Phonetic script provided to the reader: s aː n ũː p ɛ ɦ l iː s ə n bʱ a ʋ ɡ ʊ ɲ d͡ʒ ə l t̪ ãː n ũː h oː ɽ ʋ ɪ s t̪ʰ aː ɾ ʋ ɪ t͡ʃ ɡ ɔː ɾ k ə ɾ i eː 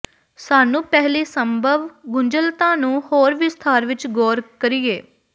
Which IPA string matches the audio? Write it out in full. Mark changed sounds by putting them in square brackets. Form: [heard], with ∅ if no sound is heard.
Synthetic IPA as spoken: s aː n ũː p ɛ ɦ l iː s ə [m] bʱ [ə] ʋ ɡ ʊ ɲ d͡ʒ ə l t̪ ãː n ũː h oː [ɾ] ʋ ɪ s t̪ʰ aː ɾ ʋ ɪ t͡ʃ ɡ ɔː ɾ k ə ɾ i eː